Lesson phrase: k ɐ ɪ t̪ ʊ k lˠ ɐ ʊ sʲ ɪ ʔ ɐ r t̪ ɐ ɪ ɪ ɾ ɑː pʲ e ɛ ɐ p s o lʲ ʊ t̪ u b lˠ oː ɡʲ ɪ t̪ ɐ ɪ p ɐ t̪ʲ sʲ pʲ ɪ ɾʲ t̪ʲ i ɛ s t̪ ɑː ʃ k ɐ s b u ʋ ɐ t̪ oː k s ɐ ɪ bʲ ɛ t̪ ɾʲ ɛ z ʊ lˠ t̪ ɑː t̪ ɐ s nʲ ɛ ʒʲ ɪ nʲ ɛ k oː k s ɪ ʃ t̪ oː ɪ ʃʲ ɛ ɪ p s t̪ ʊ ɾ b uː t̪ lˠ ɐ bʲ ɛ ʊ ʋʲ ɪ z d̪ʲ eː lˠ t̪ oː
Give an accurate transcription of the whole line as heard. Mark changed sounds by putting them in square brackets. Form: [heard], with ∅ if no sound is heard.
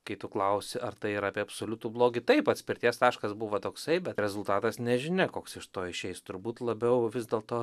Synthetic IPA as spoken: k ɐ ɪ t̪ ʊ k lˠ ɐ ʊ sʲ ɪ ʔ ɐ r t̪ ɐ ɪ ɪ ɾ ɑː pʲ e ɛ ɐ p s o lʲ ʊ t̪ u b lˠ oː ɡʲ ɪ t̪ ɐ ɪ p ɐ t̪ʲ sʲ pʲ ɪ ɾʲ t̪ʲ i ɛ s t̪ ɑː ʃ k ɐ s b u ʋ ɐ t̪ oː k s ɐ ɪ bʲ ɛ t̪ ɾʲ ɛ z ʊ lˠ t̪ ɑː t̪ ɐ s nʲ ɛ ʒʲ ɪ nʲ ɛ k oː k s ɪ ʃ t̪ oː ɪ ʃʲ ɛ ɪ [∅] s t̪ ʊ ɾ b uː t̪ lˠ ɐ bʲ ɛ ʊ ʋʲ ɪ z d̪ʲ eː lˠ t̪ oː